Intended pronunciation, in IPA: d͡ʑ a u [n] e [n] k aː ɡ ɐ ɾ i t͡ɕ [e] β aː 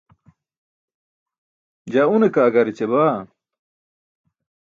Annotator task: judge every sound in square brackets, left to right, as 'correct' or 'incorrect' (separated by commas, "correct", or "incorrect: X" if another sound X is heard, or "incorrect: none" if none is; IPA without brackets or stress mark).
correct, incorrect: none, correct